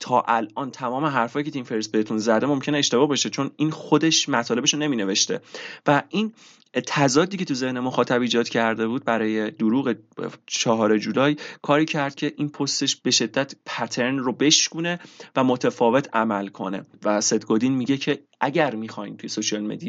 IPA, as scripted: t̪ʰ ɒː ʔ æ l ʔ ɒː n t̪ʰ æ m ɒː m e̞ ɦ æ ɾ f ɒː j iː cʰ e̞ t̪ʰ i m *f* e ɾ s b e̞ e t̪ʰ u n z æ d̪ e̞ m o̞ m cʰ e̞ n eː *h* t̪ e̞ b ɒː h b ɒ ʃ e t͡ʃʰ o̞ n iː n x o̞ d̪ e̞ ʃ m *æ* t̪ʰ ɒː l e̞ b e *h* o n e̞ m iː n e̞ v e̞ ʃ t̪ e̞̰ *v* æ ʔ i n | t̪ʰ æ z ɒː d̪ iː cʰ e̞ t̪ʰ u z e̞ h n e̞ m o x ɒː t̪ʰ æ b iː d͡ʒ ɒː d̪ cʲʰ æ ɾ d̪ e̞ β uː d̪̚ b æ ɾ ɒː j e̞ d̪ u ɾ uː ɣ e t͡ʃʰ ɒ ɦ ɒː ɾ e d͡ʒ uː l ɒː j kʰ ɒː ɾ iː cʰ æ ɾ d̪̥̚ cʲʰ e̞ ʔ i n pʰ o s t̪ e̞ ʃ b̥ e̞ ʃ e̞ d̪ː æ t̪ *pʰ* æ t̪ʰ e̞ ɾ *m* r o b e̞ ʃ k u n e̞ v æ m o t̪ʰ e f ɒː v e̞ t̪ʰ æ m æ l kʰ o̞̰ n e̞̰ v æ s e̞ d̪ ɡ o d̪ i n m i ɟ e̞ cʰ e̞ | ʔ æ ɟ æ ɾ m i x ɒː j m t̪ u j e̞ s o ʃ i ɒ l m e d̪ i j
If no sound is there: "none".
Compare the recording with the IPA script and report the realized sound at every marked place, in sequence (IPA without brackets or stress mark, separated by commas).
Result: f, ʃ, æ, ʃ, v, pʰ, n